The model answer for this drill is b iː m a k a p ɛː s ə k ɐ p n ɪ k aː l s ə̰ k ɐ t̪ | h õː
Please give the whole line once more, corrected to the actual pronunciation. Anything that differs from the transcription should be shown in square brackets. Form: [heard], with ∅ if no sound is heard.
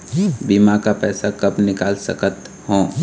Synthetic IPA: b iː m a k a p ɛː s [a] k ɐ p n ɪ k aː l s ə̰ k [ə] t̪ | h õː